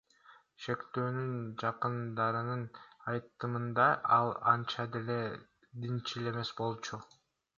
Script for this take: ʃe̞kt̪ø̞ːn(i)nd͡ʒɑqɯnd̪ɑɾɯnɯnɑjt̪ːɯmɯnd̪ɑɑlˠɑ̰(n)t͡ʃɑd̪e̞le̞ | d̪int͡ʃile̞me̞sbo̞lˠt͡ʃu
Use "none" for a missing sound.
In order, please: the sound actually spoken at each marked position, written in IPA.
y, n

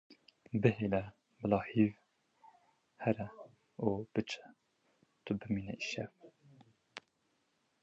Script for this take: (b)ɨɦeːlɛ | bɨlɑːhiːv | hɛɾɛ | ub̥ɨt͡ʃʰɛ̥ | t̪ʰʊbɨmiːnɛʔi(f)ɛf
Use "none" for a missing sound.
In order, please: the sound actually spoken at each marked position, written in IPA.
b, ʃ

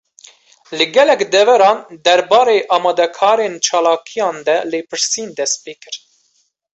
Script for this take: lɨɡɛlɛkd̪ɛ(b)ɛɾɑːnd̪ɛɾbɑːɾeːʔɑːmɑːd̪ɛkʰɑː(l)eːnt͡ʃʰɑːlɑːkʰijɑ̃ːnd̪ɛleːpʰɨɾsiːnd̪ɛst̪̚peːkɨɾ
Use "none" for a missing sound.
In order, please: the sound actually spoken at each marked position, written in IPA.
v, ɾ

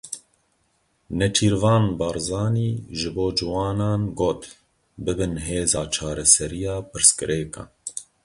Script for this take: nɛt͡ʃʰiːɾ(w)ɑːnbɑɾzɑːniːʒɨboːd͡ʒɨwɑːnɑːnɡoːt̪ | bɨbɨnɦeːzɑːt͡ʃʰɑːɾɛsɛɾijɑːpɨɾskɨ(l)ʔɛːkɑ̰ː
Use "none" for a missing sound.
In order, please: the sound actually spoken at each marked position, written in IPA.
v, ɾ

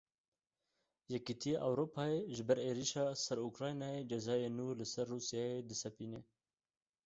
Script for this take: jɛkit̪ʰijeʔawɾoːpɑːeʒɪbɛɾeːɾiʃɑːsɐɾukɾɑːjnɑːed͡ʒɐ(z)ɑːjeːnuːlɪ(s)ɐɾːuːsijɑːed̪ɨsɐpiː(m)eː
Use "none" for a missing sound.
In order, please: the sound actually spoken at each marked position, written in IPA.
z, s, n

